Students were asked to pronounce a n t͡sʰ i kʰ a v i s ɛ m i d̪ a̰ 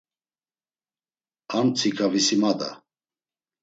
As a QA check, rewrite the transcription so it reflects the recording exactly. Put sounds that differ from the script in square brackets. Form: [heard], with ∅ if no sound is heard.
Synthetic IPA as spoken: a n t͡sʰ i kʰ a v i s [i] m [a] d̪ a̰